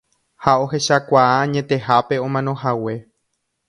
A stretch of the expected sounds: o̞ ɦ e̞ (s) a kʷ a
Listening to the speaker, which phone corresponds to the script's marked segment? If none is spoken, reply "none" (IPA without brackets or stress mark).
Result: ʃ